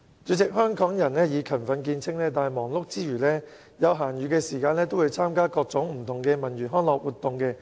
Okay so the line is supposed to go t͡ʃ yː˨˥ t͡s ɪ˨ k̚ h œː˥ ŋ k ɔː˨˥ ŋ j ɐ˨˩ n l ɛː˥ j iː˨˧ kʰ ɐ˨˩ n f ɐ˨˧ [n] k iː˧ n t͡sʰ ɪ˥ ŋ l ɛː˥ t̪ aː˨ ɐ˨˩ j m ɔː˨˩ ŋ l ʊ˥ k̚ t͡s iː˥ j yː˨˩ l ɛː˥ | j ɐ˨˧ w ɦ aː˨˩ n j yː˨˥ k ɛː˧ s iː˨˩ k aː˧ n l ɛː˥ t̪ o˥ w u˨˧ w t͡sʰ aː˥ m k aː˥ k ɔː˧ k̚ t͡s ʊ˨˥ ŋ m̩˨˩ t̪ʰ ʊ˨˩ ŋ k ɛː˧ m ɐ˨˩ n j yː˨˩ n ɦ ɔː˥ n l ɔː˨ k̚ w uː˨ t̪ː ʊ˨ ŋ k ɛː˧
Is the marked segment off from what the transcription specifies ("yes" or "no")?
no